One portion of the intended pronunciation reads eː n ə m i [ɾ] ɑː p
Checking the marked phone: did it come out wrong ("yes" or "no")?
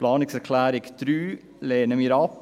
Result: no